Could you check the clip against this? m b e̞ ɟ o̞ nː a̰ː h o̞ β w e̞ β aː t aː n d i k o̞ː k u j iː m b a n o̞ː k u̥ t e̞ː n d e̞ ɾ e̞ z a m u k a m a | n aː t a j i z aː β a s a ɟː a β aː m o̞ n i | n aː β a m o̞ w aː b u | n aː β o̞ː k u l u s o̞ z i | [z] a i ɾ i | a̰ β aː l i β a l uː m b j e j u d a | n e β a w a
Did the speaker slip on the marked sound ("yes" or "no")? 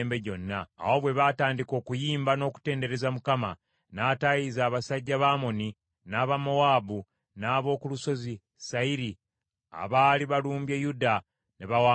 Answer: yes